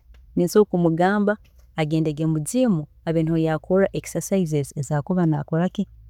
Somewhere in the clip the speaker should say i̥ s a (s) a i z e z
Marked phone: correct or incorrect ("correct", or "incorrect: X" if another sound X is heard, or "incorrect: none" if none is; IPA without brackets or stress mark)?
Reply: correct